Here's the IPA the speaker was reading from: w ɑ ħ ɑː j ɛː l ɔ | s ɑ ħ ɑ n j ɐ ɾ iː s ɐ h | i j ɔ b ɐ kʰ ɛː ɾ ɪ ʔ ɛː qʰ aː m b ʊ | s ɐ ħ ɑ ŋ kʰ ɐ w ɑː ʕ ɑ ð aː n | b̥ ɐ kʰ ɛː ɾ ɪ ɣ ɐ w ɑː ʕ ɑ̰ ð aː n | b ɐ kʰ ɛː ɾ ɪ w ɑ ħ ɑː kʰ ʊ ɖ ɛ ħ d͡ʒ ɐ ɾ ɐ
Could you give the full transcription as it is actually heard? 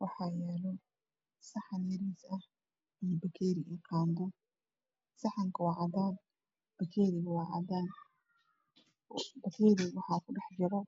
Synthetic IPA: w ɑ ħ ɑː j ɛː l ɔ | s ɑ ħ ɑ n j ɐ ɾ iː s ɐ h | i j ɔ b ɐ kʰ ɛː ɾ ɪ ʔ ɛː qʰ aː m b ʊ | s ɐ ħ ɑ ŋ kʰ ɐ w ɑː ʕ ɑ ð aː n | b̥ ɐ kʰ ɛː ɾ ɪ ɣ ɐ w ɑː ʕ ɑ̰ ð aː n | b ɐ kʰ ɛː ɾ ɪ w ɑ ħ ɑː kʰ ʊ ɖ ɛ ħ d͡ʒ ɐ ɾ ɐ

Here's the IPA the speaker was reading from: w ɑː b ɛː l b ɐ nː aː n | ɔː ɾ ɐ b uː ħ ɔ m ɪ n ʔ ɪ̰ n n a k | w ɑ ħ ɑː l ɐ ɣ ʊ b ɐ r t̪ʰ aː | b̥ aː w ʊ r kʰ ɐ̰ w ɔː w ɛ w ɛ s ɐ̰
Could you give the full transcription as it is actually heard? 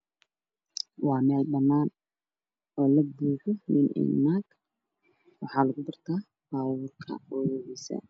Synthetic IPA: w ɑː m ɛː l b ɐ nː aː n | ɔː l ɐ b uː ħ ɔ m ɪ n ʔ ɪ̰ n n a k | w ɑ ħ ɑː l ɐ ɣ ʊ b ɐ r t̪ʰ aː | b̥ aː w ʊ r kʰ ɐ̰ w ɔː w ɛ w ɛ s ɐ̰

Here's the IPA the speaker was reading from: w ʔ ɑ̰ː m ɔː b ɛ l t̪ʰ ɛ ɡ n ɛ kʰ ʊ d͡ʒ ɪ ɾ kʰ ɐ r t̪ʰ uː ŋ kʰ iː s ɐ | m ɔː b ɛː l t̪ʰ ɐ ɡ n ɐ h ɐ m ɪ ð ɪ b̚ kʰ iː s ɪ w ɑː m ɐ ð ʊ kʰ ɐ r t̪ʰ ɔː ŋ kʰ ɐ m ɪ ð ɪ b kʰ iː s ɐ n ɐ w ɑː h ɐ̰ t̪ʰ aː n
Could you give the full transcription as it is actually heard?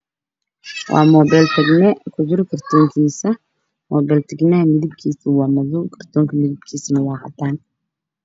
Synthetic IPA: w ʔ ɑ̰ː m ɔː b ɛ l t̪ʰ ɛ ɡ n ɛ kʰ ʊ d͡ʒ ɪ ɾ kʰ ɐ r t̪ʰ ɔː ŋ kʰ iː s ɐ | m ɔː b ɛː l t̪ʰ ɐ ɡ n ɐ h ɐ m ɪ ð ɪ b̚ kʰ iː s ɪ w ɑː m ɐ ð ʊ kʰ ɐ r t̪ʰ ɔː ŋ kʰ ɐ m ɪ ð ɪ b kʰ iː s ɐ n ɐ w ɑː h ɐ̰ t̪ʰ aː n

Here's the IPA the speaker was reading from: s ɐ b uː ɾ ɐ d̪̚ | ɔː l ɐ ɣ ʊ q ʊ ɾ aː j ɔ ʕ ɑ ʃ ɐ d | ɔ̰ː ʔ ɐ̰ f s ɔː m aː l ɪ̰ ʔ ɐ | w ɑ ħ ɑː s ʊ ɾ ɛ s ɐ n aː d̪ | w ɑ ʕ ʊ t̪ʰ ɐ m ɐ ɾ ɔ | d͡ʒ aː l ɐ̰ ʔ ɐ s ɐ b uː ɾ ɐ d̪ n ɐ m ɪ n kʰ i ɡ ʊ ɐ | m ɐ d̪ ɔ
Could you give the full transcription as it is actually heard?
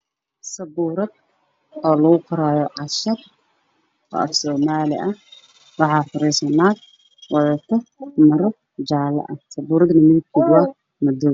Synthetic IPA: s ɐ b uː ɾ ɐ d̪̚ | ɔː l ɐ ɣ ʊ q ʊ ɾ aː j ɔ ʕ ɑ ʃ ɐ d | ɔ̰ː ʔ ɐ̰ f s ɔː m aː l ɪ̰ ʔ ɐ | w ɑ ħ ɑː f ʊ ɾ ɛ s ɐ n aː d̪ | w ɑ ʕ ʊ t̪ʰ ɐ m ɐ ɾ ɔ | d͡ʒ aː l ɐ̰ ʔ ɐ s ɐ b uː ɾ ɐ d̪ n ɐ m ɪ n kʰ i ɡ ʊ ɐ | m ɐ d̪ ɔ

